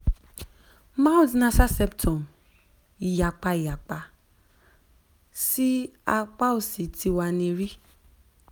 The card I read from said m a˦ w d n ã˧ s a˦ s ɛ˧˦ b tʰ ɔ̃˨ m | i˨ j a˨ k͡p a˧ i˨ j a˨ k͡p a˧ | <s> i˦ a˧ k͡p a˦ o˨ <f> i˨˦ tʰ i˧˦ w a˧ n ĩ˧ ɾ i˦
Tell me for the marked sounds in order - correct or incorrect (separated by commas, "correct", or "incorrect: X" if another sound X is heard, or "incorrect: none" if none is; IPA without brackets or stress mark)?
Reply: correct, incorrect: s